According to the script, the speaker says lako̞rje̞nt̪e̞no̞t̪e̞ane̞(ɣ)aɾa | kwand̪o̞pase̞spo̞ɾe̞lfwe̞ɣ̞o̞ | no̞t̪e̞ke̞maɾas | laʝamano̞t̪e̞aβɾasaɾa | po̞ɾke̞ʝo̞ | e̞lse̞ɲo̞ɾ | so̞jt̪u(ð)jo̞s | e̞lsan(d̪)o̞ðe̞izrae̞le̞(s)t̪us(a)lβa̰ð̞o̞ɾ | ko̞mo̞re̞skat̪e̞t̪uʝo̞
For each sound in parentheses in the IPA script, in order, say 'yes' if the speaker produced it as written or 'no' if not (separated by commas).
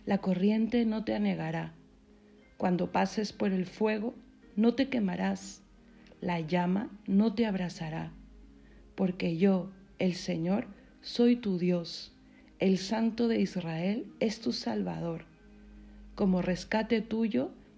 yes, yes, no, yes, yes